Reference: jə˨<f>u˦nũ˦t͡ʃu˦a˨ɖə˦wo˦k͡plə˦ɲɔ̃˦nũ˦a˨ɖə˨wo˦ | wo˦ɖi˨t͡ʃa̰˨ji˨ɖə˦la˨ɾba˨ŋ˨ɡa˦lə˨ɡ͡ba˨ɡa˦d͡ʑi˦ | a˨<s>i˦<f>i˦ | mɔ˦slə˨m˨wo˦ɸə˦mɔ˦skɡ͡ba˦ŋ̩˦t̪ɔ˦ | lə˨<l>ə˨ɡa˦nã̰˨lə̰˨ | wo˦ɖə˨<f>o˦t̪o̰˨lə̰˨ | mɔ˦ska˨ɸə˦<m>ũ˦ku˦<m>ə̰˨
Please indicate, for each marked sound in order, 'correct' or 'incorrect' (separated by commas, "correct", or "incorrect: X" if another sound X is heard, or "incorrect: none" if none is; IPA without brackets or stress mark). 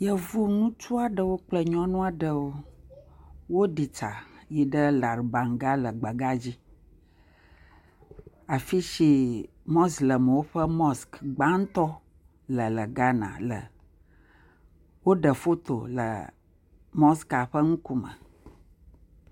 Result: incorrect: v, incorrect: f, incorrect: ʃ, correct, correct, incorrect: ŋ, correct